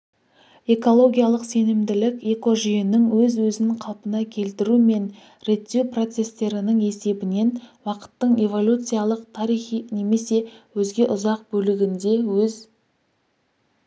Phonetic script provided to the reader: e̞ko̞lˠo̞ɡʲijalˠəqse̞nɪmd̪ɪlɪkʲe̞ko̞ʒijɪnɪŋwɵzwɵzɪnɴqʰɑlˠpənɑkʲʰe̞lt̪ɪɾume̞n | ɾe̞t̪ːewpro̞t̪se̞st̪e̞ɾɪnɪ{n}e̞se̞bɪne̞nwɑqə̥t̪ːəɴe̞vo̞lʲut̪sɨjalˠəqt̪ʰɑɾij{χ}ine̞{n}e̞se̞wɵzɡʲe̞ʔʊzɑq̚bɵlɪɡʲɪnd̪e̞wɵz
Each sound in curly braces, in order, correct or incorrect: incorrect: ŋ, correct, incorrect: m

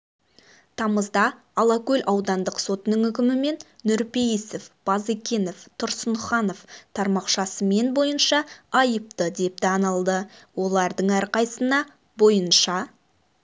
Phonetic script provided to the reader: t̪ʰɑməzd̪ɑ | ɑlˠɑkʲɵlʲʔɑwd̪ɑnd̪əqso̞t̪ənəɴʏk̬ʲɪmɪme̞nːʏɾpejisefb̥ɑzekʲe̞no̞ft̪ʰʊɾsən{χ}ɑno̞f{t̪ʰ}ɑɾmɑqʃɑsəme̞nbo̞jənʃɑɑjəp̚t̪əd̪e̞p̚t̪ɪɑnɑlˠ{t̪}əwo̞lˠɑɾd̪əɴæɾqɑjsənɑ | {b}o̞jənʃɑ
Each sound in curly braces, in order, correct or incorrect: correct, correct, incorrect: d̪, correct

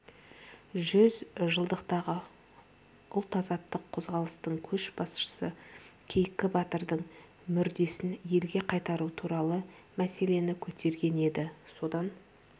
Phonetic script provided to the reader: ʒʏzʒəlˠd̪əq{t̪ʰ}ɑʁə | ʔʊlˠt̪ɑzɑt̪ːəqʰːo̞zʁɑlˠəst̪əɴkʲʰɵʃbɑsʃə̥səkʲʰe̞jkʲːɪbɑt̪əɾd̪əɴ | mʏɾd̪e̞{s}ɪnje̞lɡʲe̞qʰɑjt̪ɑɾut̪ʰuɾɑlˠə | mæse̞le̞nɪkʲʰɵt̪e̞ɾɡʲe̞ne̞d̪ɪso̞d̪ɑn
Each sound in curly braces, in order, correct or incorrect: incorrect: t̪, correct

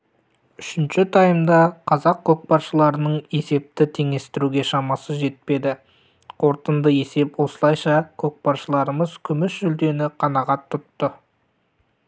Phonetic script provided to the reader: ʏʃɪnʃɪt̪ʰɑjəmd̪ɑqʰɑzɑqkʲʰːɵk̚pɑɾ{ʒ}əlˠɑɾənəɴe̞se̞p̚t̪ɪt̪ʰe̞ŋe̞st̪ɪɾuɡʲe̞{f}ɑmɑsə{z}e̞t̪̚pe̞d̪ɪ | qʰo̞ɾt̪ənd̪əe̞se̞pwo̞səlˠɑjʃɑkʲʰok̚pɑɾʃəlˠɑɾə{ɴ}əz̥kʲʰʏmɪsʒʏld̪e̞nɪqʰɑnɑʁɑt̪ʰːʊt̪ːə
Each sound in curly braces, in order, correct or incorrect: incorrect: ʃ, incorrect: ʃ, incorrect: ʒ, incorrect: m

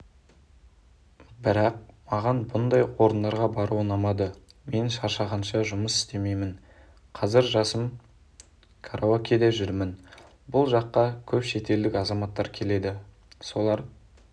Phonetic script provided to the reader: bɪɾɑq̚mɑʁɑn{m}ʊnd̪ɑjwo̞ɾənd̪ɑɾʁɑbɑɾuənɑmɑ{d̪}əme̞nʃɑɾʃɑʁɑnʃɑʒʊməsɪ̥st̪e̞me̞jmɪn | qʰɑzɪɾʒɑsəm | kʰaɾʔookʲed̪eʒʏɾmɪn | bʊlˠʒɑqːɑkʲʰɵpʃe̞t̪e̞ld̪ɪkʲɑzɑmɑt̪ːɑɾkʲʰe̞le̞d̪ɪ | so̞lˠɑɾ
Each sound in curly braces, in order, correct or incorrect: incorrect: b, correct

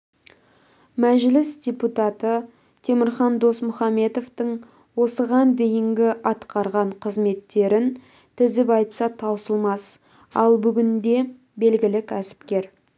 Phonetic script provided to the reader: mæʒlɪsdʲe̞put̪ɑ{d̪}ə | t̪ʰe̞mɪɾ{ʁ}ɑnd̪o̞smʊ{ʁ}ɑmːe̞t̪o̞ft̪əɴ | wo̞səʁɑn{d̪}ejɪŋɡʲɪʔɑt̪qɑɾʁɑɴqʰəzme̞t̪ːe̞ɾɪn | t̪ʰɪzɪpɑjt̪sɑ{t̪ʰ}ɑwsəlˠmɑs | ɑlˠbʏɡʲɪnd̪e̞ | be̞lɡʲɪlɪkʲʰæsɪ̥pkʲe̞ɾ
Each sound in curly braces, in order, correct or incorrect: incorrect: t̪, incorrect: χ, incorrect: χ, correct, correct

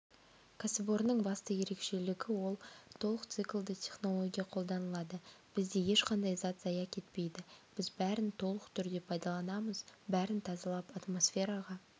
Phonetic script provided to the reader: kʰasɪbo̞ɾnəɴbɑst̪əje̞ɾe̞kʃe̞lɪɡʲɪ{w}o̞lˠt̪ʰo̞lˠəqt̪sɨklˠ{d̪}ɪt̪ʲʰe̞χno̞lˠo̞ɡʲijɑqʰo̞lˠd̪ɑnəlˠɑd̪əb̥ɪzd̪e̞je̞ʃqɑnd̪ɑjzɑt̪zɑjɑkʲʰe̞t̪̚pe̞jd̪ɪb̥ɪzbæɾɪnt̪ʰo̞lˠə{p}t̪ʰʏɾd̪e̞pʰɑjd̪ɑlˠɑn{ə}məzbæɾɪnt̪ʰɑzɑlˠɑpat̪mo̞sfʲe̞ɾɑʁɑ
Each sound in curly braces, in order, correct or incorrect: correct, correct, incorrect: q, incorrect: ɑ

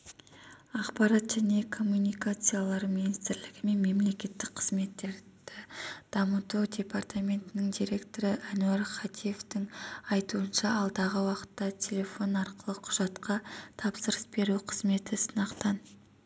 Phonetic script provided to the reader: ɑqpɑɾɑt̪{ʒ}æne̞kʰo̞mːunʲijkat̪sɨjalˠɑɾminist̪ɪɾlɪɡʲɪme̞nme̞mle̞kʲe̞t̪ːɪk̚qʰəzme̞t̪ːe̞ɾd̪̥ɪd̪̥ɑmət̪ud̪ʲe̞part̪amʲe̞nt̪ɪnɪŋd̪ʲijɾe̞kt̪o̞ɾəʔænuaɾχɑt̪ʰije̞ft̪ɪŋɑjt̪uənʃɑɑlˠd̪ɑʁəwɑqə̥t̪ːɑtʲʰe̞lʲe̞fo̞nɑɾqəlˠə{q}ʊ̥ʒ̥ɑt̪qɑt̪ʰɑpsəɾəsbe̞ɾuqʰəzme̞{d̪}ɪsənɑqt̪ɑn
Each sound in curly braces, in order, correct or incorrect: correct, incorrect: qʰ, incorrect: t̪

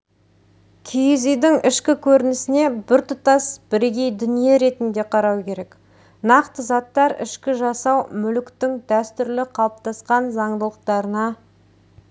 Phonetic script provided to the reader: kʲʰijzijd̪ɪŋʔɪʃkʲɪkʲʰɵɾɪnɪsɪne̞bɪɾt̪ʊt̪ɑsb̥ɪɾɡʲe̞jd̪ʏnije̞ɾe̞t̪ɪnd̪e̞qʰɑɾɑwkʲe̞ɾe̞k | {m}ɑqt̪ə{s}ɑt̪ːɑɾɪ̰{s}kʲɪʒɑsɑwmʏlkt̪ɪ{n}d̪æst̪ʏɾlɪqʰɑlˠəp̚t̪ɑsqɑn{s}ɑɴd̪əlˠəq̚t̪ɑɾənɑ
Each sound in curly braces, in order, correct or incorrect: incorrect: n, incorrect: z, incorrect: ʃ, incorrect: ŋ, incorrect: z

